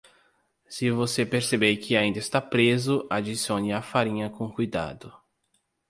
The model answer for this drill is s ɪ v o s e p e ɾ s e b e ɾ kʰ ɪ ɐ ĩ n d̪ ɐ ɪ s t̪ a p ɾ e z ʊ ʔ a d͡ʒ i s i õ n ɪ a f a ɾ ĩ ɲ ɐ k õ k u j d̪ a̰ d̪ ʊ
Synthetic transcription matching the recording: s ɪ v o s e p e ɾ s e b e ɾ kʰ ɪ a ĩ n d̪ ɐ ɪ s t̪ a p ɾ e z ʊ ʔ a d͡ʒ i s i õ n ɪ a f a ɾ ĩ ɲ ɐ k õ k u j d̪ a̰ d̪ ʊ